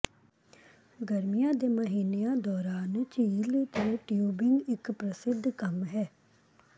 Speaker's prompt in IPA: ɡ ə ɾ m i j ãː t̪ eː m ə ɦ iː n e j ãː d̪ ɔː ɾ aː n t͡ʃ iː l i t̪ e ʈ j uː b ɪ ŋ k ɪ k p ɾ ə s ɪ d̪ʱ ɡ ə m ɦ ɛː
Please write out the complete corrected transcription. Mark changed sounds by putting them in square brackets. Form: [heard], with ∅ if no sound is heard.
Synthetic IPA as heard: ɡ ə ɾ m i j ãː [d̪] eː m ə ɦ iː n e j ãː d̪ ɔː ɾ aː n t͡ʃ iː l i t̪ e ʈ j uː b ɪ ŋ [ɡ] ɪ k p ɾ ə s ɪ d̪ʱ [k] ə m ɦ ɛː